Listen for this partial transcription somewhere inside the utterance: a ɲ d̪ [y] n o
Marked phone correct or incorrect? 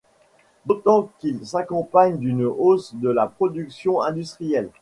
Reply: correct